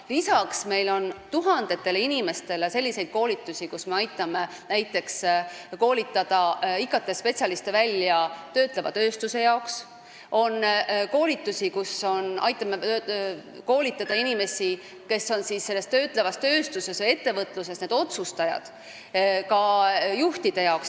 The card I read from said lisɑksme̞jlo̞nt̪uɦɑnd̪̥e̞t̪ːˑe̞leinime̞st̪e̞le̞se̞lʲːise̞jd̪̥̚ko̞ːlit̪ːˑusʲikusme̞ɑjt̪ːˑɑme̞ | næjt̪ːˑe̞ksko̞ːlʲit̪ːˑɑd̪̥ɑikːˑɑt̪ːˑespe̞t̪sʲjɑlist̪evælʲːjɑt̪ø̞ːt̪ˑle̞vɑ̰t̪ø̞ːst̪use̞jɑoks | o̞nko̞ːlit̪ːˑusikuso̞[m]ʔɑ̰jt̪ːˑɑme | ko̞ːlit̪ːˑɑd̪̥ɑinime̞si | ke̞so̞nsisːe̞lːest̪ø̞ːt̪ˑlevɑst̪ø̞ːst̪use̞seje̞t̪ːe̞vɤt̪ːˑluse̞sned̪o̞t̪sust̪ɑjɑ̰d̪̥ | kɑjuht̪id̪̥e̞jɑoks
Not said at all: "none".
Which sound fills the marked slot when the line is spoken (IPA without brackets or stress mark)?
n